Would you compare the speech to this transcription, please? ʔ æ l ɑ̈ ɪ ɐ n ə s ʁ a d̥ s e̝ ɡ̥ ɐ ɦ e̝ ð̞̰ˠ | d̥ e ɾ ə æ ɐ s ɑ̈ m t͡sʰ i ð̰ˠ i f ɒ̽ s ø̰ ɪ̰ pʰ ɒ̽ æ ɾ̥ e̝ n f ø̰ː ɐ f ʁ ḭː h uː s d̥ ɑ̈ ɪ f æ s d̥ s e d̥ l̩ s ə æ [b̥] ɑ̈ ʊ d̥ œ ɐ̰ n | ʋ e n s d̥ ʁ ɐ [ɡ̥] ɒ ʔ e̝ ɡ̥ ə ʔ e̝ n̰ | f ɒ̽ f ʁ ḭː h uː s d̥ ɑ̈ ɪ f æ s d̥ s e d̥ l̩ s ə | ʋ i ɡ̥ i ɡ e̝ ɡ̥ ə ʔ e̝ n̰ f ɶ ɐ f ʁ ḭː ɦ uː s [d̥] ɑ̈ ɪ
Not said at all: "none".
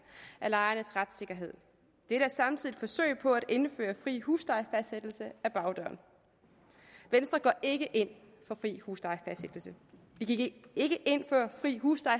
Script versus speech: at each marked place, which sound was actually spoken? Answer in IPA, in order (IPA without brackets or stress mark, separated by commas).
b̥, ɡ̥, d̥